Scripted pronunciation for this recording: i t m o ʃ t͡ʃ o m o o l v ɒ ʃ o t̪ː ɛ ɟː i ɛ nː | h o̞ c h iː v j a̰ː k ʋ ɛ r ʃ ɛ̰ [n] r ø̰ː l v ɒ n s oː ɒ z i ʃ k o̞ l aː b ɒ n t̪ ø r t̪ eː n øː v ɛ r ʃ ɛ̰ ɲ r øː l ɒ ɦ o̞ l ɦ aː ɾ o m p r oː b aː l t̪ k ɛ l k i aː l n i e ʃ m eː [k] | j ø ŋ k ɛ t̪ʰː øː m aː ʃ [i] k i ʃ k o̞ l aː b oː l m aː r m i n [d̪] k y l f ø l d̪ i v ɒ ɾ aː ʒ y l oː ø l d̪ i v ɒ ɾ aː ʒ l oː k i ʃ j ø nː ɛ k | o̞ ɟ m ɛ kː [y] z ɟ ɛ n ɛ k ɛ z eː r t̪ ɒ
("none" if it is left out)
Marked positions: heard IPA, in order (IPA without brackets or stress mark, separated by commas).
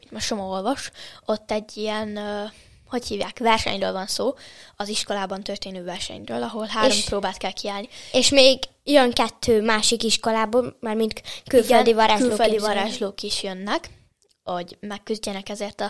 ɲ, ɡ, i, t̪, y